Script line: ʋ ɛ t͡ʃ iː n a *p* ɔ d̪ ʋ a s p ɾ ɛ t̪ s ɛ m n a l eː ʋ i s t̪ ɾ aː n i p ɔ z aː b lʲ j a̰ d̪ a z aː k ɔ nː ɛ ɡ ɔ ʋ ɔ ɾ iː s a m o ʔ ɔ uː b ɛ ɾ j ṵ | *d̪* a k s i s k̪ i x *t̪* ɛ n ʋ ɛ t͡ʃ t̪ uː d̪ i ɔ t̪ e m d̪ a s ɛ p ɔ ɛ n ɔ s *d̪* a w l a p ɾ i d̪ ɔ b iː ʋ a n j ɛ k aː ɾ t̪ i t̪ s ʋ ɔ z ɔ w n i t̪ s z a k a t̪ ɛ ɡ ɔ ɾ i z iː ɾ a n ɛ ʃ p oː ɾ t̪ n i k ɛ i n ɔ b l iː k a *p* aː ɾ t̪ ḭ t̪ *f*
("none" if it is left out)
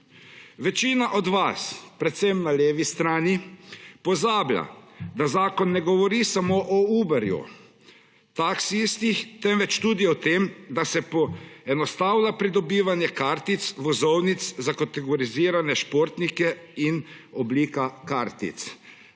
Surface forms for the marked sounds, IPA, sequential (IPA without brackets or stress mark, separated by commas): ʔ, t̪, t̪, t̪, k, s